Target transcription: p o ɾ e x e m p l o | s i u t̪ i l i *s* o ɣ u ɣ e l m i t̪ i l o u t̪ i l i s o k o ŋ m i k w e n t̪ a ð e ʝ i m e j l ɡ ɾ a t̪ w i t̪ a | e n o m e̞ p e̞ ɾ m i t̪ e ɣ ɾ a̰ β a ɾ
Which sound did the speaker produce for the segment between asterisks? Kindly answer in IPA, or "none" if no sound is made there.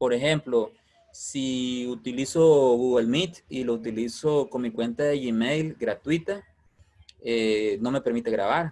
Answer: s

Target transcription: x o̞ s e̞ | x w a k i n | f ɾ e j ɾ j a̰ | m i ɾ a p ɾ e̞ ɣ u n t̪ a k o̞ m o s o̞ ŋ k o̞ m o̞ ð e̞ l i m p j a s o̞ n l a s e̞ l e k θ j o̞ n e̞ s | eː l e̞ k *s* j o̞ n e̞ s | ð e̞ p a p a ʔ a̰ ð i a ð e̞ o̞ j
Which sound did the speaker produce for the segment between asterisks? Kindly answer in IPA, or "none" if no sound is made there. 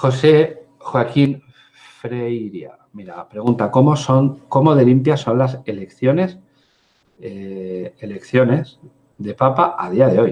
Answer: θ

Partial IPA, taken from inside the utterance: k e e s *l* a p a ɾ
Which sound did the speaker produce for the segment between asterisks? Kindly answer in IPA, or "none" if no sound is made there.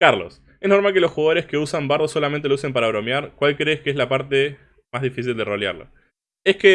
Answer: l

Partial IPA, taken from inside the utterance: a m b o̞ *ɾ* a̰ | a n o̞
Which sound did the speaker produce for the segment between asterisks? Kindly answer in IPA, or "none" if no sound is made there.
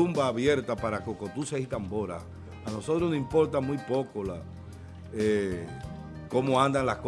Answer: ɾ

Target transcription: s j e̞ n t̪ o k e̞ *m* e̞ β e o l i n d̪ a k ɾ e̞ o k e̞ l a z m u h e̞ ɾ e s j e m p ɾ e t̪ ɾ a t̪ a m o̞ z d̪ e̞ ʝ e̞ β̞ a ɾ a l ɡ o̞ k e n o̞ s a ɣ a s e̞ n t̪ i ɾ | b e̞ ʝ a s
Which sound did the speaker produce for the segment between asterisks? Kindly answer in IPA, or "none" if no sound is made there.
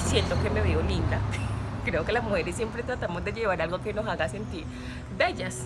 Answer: m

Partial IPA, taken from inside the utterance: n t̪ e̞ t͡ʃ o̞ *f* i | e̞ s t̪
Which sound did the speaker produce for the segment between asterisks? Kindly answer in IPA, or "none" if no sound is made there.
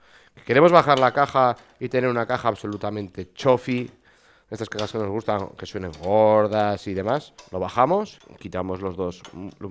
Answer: f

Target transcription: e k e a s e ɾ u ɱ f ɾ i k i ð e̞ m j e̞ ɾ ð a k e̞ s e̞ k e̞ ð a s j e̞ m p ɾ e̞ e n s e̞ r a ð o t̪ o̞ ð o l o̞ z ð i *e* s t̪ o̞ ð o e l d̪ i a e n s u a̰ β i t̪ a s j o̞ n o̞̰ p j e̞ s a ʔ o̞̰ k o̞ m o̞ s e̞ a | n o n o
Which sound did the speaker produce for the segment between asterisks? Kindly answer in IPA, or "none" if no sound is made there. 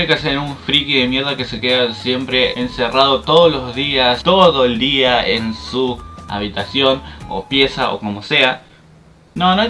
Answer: a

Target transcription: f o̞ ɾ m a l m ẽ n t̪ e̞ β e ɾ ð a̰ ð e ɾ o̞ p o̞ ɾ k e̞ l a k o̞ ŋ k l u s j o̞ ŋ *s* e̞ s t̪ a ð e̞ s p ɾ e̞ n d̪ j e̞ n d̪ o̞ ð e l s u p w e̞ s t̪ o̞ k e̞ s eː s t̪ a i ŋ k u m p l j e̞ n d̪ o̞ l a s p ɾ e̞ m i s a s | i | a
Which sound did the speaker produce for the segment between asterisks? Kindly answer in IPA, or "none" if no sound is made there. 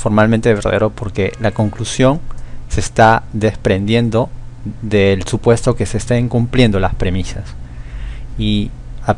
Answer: s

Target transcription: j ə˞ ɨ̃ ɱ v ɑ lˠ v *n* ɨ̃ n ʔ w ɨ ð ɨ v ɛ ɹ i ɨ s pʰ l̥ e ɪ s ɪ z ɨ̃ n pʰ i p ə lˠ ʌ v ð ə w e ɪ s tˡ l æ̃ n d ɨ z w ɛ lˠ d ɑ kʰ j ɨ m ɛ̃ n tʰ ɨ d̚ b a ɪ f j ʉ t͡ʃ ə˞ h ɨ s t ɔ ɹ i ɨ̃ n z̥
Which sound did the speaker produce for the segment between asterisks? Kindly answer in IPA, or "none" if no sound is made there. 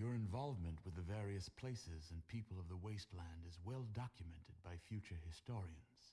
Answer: m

